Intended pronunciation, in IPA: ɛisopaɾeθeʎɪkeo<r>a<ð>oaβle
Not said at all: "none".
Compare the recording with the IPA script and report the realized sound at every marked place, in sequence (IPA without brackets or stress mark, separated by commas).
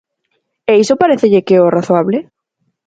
r, θ